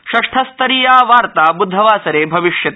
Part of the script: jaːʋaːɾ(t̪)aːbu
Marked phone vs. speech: correct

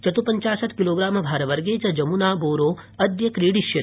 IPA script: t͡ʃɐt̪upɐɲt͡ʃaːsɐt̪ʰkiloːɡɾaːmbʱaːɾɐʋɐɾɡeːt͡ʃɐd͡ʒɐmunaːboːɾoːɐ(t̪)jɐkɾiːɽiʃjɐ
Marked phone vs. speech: incorrect: d̪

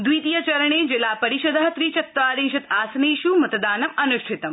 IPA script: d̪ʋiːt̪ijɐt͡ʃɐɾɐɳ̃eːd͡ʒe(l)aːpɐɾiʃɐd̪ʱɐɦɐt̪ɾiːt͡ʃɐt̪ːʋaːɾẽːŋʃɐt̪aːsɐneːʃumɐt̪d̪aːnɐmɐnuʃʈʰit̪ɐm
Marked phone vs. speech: correct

